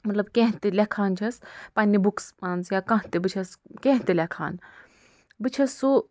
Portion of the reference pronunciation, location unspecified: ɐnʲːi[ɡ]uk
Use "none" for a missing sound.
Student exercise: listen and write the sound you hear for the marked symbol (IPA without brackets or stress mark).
b